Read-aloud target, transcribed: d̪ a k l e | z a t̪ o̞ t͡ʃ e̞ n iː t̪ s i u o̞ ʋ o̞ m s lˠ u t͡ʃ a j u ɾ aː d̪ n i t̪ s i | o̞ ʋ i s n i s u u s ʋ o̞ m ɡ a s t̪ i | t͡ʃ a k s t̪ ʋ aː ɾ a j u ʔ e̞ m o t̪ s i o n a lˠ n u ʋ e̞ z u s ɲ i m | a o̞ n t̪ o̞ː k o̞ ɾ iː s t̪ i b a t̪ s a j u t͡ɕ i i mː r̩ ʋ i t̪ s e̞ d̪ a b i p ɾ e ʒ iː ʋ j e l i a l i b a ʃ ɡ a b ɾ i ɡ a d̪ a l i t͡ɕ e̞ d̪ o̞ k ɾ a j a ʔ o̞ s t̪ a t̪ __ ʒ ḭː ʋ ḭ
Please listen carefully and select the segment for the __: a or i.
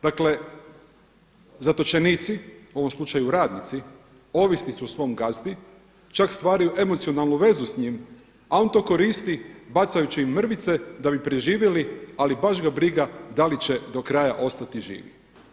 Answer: i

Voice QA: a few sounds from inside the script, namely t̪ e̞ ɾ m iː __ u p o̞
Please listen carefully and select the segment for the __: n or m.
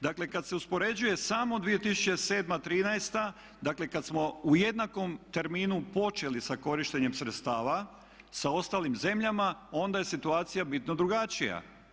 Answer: n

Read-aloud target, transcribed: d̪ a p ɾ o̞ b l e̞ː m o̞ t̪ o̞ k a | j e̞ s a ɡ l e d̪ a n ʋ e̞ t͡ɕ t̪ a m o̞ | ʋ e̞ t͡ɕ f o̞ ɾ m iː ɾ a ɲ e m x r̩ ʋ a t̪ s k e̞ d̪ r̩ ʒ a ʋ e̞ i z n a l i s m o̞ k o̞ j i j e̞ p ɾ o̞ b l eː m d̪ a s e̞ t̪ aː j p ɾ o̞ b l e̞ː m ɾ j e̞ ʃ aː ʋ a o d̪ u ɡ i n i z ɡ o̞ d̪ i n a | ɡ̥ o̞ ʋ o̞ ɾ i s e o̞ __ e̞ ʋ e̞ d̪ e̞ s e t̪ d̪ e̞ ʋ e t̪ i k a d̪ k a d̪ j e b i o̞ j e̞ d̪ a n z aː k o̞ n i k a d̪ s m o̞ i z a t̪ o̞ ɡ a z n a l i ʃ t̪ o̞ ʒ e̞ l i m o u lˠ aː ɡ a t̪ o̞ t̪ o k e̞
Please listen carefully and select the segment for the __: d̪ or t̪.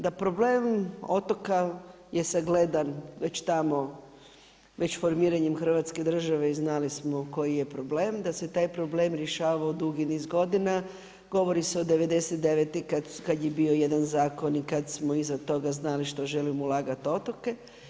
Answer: d̪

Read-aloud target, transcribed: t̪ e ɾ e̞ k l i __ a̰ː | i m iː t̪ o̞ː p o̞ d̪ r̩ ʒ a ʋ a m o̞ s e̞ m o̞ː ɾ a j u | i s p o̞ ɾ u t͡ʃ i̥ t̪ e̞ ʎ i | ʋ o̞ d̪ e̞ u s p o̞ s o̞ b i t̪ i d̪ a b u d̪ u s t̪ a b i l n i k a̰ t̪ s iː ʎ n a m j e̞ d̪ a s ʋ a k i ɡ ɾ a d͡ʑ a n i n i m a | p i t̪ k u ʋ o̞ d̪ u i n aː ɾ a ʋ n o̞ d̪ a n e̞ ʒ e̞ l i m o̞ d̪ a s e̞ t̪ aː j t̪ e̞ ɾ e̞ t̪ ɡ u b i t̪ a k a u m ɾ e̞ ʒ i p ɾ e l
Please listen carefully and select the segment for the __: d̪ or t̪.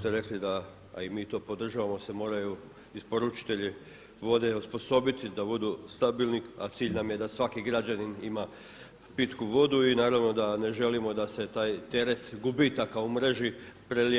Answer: d̪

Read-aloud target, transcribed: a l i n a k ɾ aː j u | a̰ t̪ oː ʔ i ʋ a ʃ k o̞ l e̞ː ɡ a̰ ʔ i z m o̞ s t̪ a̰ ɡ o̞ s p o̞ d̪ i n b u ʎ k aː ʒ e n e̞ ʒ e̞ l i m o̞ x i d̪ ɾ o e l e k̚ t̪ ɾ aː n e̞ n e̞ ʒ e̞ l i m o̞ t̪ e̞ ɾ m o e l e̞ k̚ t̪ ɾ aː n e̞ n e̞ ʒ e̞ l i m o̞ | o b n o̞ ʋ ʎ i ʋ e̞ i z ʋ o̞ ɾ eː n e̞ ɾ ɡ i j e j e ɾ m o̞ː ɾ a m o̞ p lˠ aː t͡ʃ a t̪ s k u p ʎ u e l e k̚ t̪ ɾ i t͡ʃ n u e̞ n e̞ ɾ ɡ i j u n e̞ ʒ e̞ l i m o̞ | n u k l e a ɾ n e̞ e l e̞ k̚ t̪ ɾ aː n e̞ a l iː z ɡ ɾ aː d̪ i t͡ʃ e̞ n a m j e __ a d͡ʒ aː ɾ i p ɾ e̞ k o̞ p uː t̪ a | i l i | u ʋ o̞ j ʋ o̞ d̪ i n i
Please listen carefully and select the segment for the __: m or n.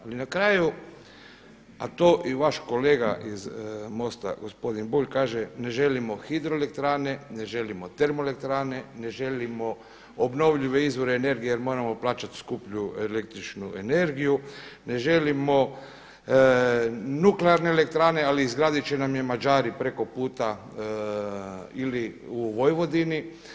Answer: m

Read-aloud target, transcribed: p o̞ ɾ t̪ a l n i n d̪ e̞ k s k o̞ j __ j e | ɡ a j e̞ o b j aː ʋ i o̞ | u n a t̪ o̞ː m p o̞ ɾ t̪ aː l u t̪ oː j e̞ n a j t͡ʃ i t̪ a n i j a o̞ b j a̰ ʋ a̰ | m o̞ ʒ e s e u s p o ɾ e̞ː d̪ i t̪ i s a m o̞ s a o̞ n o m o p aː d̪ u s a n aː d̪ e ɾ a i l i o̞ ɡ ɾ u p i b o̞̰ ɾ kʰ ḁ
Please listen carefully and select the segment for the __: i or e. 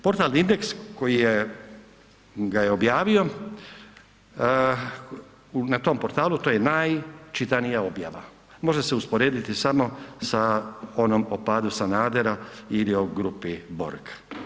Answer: i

